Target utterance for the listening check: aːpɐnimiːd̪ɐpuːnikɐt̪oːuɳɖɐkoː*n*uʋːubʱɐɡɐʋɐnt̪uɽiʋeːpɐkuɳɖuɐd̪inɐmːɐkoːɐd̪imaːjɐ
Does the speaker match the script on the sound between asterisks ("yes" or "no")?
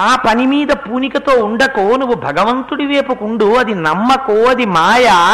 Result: yes